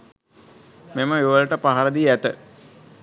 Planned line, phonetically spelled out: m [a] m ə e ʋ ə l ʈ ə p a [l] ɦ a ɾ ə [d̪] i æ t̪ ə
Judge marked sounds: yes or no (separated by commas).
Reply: no, no, yes